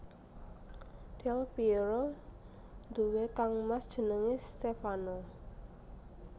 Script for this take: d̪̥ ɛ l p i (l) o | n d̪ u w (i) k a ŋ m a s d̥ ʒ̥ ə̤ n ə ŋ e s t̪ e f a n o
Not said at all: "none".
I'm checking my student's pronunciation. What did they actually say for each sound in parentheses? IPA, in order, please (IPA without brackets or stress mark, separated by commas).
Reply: ɾ, e